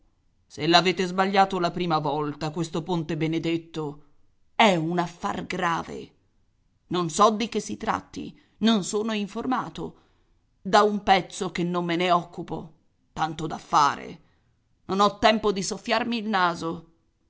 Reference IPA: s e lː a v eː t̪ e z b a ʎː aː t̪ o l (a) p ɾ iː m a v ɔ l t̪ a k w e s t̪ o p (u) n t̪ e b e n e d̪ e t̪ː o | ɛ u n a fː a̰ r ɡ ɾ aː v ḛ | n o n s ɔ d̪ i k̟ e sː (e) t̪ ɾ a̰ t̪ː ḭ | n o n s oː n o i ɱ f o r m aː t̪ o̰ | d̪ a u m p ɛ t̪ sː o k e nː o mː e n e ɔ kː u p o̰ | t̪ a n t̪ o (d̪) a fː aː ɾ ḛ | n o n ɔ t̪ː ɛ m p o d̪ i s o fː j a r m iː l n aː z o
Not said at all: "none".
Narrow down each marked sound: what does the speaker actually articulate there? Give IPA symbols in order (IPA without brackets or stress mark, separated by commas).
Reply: a, o, i, d̪